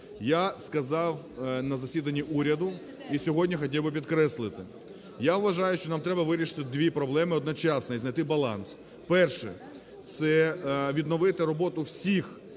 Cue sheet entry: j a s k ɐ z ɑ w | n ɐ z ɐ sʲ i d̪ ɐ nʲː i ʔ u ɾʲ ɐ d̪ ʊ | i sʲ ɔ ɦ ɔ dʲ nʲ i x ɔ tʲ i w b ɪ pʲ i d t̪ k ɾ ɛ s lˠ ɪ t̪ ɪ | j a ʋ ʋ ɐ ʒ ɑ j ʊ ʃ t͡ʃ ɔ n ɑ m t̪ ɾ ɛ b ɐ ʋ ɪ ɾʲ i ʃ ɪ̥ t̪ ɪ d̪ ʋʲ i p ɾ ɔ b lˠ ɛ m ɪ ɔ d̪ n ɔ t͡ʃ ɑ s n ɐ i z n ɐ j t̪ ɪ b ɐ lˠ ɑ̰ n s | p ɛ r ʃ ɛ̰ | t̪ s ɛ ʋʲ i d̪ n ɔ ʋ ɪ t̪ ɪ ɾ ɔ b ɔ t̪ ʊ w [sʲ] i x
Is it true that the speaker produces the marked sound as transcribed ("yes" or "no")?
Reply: yes